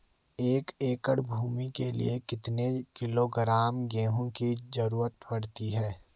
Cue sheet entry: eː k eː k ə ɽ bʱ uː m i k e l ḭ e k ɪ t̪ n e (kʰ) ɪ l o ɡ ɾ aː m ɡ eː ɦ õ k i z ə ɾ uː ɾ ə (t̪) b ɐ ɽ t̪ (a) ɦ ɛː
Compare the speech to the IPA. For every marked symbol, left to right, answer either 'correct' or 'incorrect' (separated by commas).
incorrect, correct, incorrect